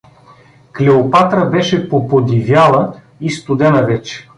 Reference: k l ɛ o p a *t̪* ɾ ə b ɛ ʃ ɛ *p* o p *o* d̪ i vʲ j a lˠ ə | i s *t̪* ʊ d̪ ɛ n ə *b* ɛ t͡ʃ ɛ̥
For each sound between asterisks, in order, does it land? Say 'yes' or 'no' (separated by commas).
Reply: yes, yes, yes, yes, no